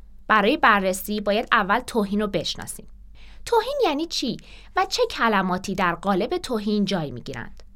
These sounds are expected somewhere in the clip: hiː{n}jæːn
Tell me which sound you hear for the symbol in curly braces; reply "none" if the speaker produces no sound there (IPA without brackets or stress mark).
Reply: n